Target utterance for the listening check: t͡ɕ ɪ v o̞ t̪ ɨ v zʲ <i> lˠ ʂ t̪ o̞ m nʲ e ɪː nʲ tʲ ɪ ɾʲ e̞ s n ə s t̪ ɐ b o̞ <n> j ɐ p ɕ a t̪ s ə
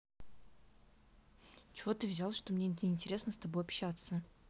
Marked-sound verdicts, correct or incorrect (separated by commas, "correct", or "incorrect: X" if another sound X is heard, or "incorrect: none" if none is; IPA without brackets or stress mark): incorrect: a, incorrect: none